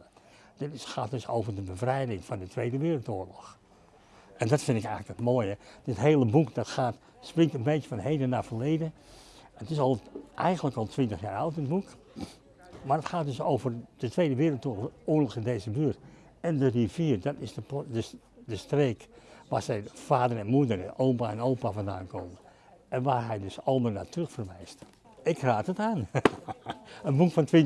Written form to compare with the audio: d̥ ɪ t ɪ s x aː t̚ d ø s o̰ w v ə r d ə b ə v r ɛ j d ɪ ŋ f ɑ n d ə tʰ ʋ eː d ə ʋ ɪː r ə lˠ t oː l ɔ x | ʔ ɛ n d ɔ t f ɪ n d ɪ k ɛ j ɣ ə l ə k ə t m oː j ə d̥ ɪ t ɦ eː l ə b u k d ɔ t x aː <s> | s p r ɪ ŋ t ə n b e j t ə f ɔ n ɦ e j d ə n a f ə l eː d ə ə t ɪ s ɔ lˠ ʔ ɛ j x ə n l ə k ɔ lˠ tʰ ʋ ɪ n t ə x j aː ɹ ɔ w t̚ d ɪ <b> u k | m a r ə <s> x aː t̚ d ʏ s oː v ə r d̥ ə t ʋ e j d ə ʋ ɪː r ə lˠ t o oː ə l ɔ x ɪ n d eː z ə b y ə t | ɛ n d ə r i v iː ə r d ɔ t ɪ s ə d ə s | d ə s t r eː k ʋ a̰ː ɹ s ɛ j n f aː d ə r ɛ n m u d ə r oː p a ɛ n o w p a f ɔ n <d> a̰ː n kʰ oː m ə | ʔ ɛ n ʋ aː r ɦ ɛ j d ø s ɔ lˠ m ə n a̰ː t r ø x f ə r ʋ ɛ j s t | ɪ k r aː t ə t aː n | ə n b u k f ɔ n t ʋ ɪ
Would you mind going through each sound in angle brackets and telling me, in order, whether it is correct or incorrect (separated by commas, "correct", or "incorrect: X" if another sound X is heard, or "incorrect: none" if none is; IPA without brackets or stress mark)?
incorrect: t, correct, incorrect: t, correct